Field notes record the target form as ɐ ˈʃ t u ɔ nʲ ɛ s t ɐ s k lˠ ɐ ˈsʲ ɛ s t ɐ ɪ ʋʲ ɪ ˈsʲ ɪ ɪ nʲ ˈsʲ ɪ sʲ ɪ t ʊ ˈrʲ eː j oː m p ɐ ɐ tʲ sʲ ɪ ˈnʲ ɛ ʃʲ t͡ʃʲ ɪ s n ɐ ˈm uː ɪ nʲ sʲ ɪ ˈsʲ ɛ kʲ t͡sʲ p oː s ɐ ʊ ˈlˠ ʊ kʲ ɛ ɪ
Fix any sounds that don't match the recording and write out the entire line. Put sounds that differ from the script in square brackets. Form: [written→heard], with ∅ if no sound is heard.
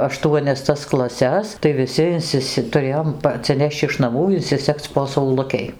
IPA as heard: ɐ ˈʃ t u ɔ nʲ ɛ s t ɐ s k lˠ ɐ ˈsʲ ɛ s t ɐ ɪ ʋʲ ɪ ˈsʲ ɪ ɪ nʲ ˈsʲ ɪ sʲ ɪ t ʊ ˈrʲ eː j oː m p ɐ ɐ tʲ sʲ ɪ ˈnʲ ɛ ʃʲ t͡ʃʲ ɪ [s→ʃ] n ɐ ˈm uː ɪ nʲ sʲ ɪ ˈsʲ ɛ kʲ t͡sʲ p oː s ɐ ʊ ˈlˠ ʊ kʲ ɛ ɪ